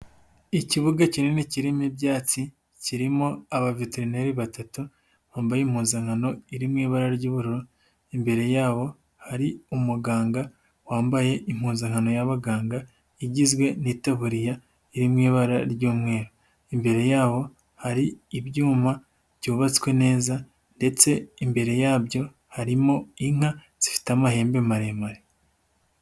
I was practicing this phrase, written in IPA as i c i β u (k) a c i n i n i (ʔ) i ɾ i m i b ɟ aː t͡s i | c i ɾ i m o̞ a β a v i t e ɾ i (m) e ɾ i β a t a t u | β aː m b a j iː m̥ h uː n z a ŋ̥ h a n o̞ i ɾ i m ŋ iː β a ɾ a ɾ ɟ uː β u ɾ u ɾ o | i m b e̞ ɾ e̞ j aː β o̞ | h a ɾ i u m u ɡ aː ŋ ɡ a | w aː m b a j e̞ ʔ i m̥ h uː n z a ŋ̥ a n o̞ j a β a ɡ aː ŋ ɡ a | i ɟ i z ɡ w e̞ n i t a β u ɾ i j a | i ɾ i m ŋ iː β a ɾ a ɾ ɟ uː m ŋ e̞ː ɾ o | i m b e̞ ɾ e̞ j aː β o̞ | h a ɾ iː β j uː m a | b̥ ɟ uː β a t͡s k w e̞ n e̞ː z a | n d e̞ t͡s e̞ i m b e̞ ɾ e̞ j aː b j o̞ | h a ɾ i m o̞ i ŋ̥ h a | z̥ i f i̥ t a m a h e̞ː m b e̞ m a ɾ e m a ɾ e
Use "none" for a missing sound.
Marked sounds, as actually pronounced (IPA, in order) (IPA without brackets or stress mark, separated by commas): ɡ, c, n